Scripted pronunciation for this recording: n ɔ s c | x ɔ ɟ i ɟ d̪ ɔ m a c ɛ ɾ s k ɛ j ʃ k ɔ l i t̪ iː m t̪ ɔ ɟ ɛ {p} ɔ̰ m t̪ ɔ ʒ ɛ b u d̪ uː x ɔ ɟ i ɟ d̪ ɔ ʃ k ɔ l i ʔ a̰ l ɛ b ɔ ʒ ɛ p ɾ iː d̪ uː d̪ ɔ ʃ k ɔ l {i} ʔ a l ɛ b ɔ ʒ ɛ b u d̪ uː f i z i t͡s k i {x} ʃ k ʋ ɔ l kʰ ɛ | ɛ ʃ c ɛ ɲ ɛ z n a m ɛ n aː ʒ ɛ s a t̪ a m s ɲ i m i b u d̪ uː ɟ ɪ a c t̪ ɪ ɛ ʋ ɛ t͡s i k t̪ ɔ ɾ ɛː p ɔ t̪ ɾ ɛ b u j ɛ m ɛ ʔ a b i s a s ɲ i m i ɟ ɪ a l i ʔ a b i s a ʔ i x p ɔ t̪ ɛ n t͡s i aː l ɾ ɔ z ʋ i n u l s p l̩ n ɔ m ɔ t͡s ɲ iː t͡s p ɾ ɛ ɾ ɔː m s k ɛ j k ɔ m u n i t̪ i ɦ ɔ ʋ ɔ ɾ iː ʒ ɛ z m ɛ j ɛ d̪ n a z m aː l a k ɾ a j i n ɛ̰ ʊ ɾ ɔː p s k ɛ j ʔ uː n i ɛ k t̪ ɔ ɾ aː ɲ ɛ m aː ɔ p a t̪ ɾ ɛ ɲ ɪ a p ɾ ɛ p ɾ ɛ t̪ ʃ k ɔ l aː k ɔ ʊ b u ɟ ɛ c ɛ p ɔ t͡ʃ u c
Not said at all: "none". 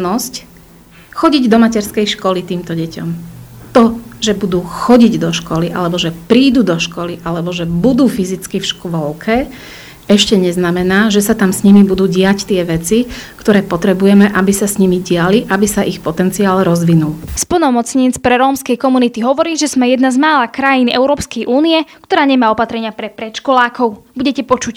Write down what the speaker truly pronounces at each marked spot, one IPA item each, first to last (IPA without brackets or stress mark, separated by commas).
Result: c, i, f